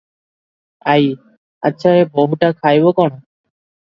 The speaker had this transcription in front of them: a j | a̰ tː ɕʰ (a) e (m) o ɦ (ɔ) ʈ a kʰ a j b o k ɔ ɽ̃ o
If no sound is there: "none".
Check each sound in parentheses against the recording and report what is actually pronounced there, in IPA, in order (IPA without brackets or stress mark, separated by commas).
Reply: a, b, u